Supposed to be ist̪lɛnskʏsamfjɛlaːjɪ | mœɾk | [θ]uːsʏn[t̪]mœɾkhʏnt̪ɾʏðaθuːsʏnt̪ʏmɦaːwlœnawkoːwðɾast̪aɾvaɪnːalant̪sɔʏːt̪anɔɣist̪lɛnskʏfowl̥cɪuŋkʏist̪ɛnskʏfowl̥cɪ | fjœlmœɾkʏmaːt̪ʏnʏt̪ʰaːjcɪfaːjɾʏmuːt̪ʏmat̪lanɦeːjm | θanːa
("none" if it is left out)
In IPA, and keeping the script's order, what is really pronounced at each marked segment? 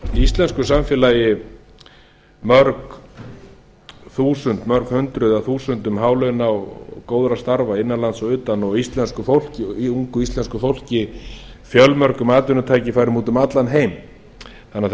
θ, t̪

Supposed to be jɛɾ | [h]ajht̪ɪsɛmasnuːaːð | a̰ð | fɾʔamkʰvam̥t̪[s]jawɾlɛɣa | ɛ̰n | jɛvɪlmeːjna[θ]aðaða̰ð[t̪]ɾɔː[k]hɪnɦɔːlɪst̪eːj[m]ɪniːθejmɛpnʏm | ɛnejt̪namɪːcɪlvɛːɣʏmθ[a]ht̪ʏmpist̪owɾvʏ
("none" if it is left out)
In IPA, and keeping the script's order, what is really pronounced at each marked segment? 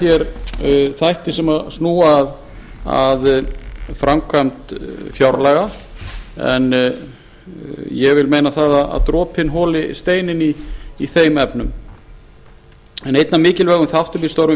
θ, f, θ, t̪, p, n, a

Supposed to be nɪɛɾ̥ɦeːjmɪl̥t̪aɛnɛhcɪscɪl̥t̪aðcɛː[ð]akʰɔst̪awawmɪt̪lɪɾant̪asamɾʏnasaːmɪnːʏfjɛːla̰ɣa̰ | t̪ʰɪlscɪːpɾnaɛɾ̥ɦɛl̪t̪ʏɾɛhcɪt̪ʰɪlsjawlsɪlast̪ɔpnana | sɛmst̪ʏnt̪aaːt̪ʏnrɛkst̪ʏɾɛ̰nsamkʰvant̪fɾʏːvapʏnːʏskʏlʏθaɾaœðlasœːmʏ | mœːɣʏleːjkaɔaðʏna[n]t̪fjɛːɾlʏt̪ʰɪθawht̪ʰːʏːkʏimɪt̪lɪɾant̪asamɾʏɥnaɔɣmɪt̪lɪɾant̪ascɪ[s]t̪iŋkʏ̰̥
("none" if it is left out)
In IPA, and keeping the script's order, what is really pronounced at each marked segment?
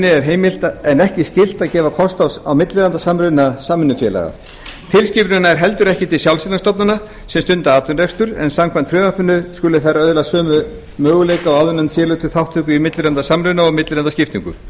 v, n, f

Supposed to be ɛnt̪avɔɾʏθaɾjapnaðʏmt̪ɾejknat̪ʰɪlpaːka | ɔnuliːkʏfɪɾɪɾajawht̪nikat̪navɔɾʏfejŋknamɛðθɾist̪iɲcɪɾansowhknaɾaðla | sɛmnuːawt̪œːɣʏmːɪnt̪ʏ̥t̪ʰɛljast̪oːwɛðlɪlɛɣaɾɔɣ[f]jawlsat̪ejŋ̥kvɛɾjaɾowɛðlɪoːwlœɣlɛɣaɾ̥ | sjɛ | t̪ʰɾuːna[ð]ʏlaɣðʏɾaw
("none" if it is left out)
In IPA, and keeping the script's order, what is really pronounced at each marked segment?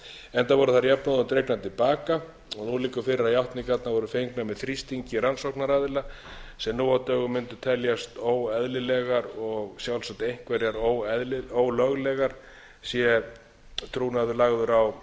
s, ð

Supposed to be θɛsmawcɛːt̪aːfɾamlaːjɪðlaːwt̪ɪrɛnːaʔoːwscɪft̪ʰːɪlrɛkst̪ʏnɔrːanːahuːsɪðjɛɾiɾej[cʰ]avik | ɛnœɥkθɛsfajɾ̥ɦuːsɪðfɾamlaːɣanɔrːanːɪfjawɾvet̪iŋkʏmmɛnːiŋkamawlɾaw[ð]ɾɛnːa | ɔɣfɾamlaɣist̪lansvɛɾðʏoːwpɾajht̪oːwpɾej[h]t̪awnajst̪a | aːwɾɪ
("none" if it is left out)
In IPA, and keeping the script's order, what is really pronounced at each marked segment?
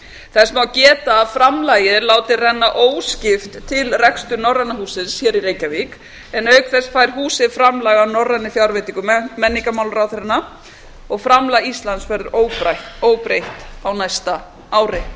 c, θ, h

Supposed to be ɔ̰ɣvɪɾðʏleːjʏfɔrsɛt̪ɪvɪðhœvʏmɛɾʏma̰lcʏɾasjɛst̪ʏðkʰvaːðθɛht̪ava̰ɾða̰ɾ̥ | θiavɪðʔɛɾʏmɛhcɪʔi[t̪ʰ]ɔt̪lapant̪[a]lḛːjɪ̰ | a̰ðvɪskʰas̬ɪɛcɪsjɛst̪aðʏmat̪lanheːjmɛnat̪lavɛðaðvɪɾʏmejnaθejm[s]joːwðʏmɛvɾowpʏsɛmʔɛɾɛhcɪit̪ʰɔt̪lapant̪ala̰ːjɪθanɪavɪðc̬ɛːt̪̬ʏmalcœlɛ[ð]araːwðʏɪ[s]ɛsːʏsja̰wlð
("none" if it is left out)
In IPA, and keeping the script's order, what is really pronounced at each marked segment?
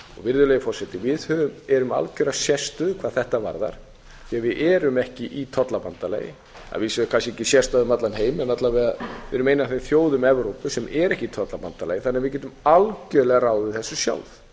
t̪ʰ, a, θ, ɣ, θ

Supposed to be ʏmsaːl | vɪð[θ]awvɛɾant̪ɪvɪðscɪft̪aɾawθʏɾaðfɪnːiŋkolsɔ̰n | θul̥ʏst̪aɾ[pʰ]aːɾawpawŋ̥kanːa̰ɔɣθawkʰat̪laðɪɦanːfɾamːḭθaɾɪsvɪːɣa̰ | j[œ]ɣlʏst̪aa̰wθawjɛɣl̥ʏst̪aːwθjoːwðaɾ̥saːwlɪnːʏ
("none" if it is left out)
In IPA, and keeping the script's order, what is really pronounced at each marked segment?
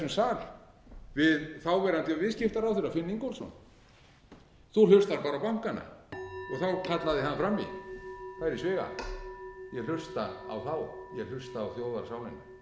θ, p, ɛ

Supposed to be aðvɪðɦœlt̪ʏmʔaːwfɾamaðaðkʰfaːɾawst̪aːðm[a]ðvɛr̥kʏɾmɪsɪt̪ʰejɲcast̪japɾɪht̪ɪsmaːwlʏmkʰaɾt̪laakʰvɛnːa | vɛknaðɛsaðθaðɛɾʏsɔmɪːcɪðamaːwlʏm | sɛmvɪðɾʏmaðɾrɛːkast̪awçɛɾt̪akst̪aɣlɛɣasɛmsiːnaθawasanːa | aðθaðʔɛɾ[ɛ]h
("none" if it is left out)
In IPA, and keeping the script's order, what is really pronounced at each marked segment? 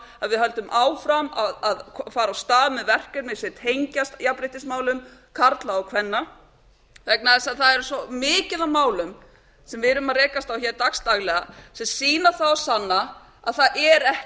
ɛ, ɛ

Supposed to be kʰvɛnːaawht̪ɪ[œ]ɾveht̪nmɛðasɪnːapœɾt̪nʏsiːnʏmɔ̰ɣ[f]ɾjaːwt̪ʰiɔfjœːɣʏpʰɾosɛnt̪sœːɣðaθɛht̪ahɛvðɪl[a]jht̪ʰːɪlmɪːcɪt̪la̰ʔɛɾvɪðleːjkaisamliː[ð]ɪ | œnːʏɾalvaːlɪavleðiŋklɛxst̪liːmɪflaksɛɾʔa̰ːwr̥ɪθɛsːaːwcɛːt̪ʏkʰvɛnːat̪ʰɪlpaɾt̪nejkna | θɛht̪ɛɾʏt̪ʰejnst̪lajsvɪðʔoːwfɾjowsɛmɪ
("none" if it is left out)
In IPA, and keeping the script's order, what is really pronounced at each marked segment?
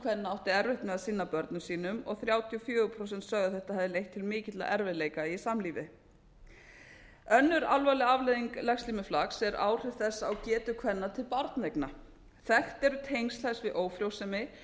ɛ, θ, e, v

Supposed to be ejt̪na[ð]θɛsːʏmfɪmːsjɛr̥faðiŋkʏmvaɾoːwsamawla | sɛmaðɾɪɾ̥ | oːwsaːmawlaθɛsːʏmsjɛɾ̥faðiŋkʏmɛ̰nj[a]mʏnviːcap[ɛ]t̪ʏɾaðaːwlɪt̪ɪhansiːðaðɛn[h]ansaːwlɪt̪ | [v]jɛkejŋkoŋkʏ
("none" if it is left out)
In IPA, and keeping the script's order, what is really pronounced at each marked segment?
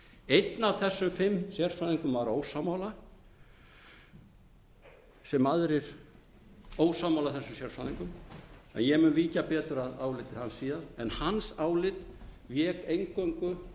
v, ɛ, ɛː, h, v

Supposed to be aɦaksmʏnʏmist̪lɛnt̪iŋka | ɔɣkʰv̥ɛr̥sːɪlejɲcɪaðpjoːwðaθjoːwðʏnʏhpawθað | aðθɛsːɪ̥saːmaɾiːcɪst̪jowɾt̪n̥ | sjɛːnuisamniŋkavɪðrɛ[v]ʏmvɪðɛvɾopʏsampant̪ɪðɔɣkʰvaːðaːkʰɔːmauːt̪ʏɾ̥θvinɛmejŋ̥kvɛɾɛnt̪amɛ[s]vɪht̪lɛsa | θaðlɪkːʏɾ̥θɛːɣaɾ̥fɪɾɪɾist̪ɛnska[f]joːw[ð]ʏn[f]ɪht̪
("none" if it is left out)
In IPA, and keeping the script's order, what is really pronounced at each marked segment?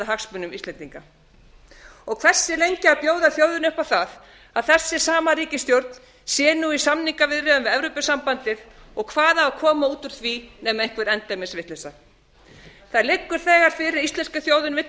ð, s, θ, ð, v

